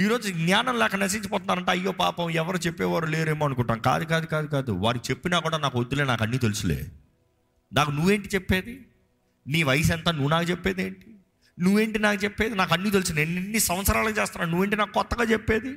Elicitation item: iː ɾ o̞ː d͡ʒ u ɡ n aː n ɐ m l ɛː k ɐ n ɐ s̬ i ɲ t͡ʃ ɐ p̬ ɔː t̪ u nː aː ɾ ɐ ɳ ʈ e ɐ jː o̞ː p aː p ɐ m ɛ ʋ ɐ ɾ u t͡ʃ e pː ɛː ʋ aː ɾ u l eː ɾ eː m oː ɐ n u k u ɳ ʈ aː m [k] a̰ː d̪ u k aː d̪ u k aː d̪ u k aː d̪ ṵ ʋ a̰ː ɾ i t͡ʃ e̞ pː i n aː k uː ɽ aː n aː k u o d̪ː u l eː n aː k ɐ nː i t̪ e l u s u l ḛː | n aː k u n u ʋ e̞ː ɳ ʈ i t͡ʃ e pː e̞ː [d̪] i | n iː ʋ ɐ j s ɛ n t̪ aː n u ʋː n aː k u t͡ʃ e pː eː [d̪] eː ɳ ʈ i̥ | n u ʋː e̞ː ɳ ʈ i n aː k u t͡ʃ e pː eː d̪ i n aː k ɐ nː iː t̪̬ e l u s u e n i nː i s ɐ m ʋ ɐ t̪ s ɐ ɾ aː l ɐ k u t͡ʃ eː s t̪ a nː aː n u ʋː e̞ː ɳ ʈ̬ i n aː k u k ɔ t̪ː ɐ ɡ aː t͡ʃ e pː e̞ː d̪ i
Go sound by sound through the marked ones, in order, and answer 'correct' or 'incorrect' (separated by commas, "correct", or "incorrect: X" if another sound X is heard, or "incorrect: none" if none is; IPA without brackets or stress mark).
correct, correct, correct